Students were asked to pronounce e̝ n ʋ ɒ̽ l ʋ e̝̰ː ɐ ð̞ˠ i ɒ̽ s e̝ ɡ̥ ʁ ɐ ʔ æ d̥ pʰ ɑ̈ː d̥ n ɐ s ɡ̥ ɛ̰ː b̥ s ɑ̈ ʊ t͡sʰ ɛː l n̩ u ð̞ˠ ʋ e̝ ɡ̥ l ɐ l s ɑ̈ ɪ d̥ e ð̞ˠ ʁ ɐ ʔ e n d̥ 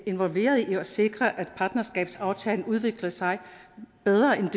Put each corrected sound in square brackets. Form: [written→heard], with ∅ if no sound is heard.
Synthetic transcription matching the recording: e̝ n ʋ ɒ̽ l ʋ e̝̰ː ɐ ð̞ˠ i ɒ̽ s e̝ ɡ̥ ʁ ɐ ʔ æ d̥ pʰ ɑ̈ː d̥ n ɐ s ɡ̥ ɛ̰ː b̥ s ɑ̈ ʊ t͡sʰ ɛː l n̩ u ð̞ˠ ʋ e̝ ɡ̥ l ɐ [l→∅] s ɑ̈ ɪ [d̥→b̥] e ð̞ˠ ʁ ɐ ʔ e n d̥